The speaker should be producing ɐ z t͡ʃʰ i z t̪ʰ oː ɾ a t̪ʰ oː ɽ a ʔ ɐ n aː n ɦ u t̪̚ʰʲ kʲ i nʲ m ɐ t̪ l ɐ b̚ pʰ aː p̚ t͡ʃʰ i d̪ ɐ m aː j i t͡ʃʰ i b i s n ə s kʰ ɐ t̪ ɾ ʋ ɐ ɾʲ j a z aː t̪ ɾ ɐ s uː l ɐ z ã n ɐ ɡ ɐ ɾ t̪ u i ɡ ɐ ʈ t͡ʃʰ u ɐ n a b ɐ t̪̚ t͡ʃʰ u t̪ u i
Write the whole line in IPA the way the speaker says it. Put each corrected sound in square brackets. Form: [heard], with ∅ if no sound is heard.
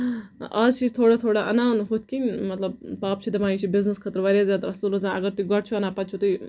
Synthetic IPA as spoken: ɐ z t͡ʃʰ i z t̪ʰ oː [ɽ] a t̪ʰ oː ɽ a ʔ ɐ n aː n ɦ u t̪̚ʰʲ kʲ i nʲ m ɐ t̪ l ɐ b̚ [p] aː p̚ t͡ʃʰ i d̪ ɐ m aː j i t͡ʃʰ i b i [z] n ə s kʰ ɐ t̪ ɾ ʋ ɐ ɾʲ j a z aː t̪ ɾ ɐ s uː l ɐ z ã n ɐ ɡ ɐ ɾ t̪ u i ɡ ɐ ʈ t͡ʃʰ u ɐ n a [p] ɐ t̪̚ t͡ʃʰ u t̪ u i